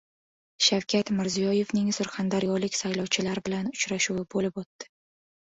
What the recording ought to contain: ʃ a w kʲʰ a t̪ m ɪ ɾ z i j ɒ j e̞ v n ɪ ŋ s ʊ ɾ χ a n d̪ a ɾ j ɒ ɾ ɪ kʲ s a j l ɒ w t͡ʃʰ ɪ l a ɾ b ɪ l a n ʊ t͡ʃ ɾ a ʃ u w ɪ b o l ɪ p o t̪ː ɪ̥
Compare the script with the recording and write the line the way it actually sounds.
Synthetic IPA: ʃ a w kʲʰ a t̪ m ɪ ɾ z i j ɒ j e̞ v n ɪ ŋ s ʊ ɾ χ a n d̪ a ɾ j ɒ l ɪ kʲ s a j l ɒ w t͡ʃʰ ɪ l a ɾ b ɪ l a n ʊ t͡ʃ ɾ a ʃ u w ɪ b o l ɪ p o t̪ː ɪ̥